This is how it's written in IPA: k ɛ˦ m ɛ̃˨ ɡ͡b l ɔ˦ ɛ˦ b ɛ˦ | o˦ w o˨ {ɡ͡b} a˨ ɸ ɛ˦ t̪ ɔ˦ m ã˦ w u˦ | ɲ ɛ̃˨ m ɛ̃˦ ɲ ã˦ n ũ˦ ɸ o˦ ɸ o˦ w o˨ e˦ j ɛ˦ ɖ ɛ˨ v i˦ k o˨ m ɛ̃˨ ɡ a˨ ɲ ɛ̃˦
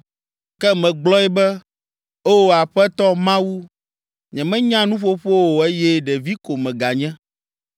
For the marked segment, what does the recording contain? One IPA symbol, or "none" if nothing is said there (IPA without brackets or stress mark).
none